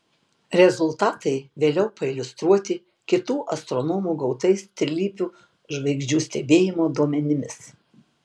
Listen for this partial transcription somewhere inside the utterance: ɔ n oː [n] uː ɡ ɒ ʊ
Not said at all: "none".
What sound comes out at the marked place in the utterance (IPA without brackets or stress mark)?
m